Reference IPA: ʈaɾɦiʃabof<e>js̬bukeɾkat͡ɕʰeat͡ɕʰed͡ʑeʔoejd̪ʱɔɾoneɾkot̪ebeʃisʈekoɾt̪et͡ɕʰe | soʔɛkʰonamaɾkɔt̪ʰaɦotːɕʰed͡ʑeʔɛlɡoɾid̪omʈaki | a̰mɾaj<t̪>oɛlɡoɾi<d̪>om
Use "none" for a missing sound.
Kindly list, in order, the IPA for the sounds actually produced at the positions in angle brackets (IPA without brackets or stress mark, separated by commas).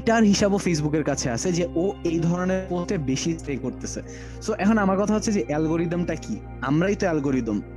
e, t̪, d̪